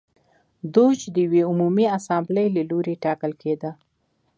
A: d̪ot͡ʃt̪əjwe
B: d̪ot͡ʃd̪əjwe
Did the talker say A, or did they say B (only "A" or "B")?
B